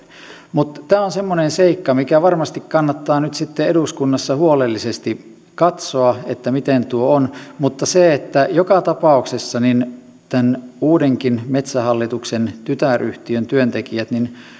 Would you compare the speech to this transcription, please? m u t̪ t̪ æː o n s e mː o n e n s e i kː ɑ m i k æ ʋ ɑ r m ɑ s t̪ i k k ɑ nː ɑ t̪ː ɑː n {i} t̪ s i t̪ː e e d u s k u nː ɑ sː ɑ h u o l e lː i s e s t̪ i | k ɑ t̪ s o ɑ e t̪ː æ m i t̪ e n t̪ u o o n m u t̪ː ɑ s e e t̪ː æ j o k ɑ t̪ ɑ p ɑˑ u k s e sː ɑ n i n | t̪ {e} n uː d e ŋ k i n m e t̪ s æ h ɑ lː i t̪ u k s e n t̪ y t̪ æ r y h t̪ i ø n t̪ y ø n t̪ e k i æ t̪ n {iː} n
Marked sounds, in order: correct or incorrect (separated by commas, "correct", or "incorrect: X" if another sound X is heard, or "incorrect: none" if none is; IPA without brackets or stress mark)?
incorrect: y, incorrect: æ, incorrect: i